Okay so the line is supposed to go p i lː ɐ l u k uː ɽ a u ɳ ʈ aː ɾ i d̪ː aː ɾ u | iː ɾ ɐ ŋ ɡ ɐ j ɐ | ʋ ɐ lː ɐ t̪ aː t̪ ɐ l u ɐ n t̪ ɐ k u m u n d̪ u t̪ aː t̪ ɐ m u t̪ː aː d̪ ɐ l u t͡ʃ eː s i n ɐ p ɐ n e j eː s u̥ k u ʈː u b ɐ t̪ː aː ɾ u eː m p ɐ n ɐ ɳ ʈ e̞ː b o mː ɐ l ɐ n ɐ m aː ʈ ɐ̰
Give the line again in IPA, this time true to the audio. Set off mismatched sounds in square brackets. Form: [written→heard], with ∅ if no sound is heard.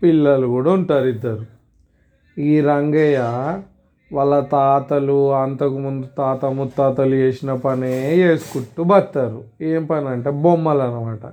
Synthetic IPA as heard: p i lː ɐ l u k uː ɽ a u ɳ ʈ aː ɾ i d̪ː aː ɾ u | iː ɾ ɐ ŋ ɡ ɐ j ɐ | ʋ ɐ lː ɐ t̪ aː t̪ ɐ l u ɐ n t̪ ɐ k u m u n d̪ u t̪ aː t̪ ɐ m u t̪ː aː [d̪→t̪] ɐ l u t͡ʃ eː s i n ɐ p ɐ n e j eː s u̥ k u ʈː u b ɐ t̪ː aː ɾ u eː m p ɐ n ɐ ɳ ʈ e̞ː b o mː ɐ l ɐ n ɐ m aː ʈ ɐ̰